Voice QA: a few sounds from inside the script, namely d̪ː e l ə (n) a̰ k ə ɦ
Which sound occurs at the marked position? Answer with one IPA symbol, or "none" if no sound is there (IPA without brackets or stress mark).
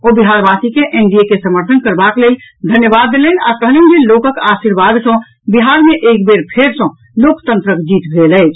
n